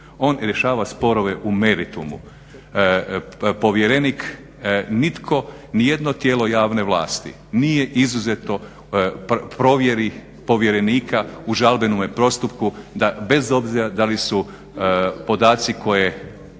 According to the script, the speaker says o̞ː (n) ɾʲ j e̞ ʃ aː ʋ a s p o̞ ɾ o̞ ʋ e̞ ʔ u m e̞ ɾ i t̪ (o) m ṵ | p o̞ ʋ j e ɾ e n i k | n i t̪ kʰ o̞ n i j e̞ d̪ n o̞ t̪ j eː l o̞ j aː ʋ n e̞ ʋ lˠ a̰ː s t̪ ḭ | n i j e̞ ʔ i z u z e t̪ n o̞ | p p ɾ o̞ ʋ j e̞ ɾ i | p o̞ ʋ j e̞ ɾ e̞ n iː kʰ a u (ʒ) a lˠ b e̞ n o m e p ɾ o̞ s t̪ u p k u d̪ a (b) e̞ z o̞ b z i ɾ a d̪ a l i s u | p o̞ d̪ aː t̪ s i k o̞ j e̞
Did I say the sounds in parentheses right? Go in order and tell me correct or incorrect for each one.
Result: correct, incorrect: u, correct, correct

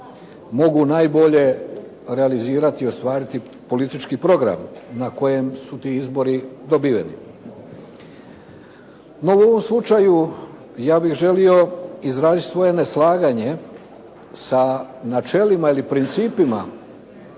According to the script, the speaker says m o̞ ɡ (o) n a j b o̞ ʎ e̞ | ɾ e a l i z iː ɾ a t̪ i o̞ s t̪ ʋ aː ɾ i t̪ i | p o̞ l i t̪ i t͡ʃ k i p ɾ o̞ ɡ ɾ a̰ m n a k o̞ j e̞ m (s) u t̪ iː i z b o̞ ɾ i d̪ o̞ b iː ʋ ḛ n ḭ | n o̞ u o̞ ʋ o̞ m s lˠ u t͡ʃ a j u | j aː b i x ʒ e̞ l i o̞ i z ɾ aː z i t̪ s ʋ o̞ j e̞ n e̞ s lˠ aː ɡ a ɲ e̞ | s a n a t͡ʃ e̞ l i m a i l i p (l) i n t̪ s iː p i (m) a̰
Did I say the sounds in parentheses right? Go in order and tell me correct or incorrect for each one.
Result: incorrect: u, correct, incorrect: ɾ, correct

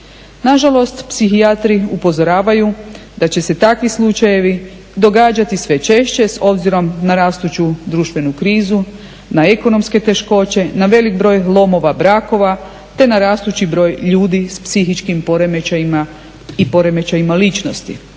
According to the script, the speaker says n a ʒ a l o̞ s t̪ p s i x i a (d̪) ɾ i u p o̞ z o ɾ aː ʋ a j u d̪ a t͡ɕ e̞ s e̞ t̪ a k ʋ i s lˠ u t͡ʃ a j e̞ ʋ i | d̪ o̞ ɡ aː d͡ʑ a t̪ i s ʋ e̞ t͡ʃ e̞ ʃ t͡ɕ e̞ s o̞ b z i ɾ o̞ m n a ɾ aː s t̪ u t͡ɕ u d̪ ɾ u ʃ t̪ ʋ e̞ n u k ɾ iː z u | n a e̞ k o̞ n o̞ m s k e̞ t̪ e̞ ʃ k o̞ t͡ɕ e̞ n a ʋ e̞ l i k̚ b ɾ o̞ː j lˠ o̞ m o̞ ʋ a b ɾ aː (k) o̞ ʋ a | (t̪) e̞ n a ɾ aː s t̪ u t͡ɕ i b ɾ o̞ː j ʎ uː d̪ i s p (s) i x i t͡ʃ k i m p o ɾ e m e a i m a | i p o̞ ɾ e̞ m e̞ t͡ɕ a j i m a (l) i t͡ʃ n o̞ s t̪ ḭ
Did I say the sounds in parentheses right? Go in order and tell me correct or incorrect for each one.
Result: incorrect: t̪, correct, correct, correct, correct

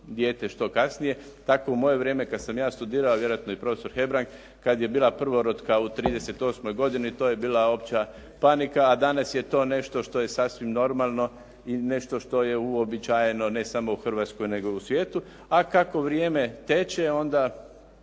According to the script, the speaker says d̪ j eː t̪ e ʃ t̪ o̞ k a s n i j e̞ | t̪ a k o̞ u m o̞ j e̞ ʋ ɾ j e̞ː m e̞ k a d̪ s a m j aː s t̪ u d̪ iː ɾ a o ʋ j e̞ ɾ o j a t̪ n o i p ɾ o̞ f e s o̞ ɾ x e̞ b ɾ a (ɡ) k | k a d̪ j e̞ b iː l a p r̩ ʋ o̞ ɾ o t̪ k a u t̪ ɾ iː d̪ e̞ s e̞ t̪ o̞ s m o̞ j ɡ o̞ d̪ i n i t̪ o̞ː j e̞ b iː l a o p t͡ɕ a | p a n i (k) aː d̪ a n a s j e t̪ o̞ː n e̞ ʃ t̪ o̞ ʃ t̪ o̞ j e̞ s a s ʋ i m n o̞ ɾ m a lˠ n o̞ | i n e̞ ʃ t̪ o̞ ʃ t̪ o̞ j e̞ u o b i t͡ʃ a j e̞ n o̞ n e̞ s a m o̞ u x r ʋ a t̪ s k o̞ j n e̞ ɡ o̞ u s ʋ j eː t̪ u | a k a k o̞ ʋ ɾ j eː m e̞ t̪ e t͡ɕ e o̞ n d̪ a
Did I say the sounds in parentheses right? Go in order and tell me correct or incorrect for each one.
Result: incorrect: ŋ, correct

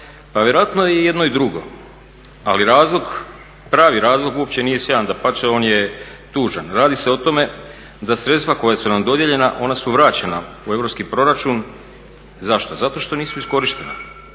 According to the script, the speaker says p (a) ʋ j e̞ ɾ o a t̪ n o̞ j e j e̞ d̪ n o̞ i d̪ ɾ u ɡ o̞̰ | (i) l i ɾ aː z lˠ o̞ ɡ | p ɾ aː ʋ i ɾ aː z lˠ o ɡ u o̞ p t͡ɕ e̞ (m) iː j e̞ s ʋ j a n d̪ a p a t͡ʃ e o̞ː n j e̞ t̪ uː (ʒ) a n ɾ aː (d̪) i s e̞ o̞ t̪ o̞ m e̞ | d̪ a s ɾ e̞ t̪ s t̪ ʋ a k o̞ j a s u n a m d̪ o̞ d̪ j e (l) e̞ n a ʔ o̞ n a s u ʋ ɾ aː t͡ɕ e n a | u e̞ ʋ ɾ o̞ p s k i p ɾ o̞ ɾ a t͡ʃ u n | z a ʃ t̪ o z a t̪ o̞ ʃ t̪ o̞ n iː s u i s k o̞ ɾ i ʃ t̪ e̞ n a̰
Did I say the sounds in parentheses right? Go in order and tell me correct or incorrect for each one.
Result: correct, incorrect: a, incorrect: n, correct, correct, incorrect: ʎ

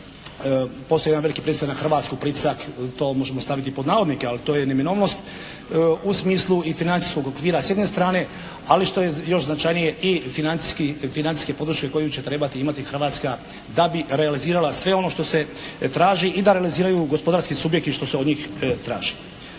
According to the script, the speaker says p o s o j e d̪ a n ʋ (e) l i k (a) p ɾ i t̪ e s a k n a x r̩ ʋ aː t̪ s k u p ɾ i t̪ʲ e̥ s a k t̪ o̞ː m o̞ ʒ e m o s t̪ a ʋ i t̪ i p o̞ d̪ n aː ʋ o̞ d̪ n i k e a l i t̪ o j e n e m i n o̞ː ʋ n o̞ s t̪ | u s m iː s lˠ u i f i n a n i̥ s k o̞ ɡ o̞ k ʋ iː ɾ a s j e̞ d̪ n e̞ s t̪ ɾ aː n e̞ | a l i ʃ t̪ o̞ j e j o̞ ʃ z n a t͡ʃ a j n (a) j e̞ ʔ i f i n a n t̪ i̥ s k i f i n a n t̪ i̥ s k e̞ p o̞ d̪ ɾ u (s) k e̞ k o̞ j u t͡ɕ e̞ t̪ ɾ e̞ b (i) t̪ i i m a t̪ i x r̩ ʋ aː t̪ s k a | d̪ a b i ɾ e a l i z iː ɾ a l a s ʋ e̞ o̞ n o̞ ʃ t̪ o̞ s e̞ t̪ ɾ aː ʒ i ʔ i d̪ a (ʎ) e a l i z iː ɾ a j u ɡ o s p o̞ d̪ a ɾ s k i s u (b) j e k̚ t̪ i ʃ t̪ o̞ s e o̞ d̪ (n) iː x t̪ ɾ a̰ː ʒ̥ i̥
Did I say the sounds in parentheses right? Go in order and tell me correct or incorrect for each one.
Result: correct, incorrect: i, incorrect: i, incorrect: ʃ, incorrect: a, incorrect: ɾ, correct, incorrect: ɲ

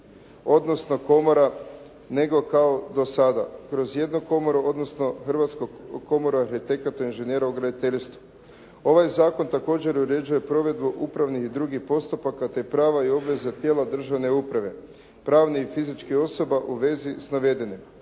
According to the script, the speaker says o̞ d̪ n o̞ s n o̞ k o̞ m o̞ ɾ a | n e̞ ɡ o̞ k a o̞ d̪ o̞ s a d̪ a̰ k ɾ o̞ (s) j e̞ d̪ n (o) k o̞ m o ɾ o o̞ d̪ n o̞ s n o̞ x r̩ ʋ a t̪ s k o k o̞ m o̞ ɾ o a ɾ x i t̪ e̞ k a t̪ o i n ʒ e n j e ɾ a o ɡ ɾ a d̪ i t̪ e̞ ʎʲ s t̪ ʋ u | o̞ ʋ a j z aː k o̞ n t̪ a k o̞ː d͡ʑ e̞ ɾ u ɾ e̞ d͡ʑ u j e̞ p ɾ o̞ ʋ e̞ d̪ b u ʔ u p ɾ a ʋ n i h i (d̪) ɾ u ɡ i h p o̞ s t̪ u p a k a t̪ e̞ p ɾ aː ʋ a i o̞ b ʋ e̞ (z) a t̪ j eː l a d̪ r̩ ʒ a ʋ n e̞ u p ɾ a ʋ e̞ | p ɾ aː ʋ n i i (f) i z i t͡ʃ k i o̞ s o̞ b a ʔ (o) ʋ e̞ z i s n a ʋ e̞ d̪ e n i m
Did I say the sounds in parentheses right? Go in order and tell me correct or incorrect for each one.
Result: incorrect: z, correct, correct, correct, correct, incorrect: u

